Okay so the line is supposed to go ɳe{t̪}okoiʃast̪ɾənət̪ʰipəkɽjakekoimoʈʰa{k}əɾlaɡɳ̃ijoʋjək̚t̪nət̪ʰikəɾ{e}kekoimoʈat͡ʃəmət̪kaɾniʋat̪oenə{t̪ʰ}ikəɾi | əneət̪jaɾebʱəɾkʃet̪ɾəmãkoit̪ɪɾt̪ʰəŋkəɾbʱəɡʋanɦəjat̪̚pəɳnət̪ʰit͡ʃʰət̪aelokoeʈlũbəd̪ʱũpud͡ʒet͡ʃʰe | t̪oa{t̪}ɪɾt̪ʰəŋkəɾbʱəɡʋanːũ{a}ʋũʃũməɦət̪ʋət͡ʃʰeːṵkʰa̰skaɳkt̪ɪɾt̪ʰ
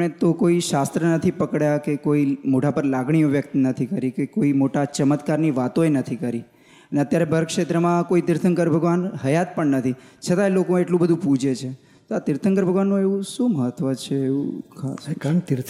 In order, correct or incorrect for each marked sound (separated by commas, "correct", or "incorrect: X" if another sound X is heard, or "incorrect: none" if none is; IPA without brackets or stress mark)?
correct, incorrect: p, incorrect: i, correct, correct, incorrect: e